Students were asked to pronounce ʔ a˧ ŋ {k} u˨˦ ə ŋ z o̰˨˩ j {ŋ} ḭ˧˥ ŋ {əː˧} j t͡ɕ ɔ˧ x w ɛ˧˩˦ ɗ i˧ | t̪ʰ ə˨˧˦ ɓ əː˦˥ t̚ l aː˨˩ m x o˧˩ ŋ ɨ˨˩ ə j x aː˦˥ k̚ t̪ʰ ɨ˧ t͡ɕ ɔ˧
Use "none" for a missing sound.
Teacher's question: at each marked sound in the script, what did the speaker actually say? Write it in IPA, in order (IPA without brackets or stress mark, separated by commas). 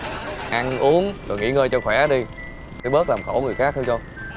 ʔ, ŋ, əː˧